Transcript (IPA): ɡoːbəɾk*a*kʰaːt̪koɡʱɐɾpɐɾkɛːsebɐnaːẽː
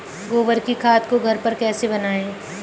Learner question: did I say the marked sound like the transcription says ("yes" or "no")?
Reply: no